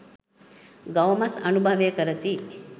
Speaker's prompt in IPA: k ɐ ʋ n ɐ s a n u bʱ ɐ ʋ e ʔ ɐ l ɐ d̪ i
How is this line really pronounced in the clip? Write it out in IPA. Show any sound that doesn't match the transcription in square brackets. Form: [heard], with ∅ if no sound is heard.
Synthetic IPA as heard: [ɡ] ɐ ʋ [m] ɐ s [ɐ] n u bʱ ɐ ʋ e [k] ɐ [ɾ] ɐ [t̪] i

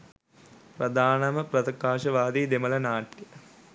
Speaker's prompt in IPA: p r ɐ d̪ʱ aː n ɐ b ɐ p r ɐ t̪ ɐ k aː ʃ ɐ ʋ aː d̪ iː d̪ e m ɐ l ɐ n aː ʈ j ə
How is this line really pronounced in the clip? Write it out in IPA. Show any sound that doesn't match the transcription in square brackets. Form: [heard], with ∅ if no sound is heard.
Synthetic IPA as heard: p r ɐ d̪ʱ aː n ɐ [m] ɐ p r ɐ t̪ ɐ k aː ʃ ɐ ʋ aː d̪ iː d̪ e m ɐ l ɐ n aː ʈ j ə

